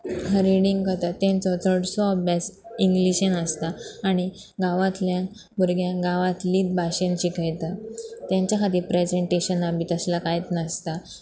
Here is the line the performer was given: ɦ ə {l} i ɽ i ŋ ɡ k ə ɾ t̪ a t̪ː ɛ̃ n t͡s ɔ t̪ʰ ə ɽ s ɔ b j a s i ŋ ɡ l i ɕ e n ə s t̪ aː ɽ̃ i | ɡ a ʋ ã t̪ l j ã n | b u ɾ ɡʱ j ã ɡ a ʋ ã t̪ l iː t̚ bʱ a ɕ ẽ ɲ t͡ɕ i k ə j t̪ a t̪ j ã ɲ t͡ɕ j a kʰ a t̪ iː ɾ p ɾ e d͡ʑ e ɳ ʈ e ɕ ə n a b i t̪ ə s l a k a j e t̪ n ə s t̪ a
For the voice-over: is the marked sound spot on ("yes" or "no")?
no